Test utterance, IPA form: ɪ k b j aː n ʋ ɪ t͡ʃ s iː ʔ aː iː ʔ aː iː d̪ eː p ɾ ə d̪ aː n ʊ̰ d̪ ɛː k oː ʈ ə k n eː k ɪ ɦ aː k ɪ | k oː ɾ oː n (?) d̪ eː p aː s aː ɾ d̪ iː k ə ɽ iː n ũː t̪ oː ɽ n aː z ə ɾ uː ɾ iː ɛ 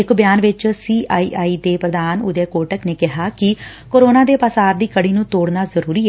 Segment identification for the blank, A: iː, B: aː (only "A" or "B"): B